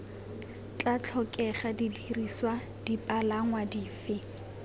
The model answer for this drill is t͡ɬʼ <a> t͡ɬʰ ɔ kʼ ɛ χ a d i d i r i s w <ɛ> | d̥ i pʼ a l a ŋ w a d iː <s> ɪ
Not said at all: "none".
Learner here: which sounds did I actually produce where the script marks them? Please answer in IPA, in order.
a, a, f

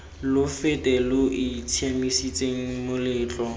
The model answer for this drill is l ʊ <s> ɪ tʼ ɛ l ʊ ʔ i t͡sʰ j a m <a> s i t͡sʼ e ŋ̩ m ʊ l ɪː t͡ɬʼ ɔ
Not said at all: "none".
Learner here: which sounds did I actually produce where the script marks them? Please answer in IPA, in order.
f, i

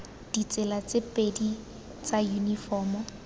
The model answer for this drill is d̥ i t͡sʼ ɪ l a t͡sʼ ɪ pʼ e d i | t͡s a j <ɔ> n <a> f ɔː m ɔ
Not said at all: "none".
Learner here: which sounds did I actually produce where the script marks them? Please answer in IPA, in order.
u, i

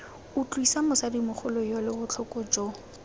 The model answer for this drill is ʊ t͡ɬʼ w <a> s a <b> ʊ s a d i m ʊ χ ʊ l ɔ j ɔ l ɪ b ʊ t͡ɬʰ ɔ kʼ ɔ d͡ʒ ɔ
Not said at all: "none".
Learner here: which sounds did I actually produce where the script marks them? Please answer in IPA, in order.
i, m

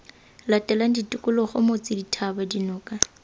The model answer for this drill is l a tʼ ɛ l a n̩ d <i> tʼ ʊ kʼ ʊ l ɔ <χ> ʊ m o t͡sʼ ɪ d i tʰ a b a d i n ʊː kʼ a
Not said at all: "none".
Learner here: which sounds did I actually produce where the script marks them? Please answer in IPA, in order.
i, χ

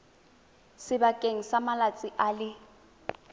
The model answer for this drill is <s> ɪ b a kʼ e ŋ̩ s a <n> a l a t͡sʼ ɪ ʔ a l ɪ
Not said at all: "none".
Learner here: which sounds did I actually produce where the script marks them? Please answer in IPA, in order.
s, m

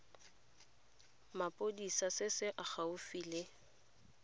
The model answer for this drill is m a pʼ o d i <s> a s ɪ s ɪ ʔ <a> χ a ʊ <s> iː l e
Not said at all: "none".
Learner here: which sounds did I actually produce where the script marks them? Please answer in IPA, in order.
s, a, f

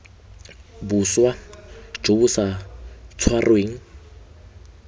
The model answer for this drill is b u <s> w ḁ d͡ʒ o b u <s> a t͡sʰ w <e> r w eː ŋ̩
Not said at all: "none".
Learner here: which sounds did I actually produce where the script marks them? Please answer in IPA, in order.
s, s, a

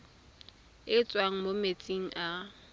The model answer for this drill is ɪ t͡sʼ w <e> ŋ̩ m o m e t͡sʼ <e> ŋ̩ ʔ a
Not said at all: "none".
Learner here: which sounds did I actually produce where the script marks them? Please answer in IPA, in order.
a, i

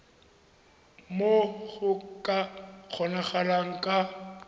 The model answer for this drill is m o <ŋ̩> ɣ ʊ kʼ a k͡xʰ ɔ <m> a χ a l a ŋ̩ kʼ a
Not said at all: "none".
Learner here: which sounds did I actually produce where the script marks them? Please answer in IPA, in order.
none, n

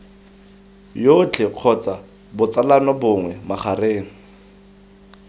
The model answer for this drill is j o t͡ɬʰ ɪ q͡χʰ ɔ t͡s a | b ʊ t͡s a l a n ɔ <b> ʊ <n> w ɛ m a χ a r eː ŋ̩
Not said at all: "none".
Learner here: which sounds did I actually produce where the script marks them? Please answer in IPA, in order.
b, ŋ

